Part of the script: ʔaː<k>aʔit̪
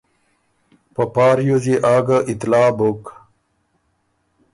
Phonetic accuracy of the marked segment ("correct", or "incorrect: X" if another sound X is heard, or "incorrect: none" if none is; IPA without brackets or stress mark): incorrect: ɡ